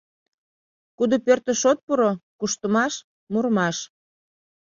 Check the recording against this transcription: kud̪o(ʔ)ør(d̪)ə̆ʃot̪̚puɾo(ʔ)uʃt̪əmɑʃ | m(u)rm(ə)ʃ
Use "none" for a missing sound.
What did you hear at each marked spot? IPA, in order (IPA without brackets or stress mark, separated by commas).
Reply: p, t̪, k, u, ɑ